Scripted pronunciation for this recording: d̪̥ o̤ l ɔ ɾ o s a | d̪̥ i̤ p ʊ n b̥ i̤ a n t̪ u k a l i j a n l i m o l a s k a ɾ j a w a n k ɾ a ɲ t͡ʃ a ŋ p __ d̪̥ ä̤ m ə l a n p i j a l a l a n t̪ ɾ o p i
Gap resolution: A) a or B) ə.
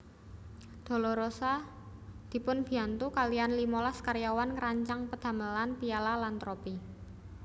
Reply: B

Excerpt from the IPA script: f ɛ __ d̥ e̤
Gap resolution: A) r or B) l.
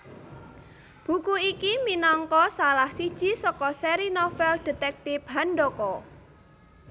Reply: B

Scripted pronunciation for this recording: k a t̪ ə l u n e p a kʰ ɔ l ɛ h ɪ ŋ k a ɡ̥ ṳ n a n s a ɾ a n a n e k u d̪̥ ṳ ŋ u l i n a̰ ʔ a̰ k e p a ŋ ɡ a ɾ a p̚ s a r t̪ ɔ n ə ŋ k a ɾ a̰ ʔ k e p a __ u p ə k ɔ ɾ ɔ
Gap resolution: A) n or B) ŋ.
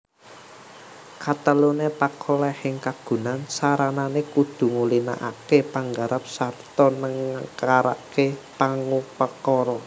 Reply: B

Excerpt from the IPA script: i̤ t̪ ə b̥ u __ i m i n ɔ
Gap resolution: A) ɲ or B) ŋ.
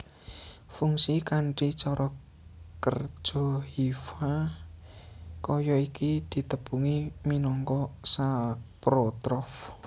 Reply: B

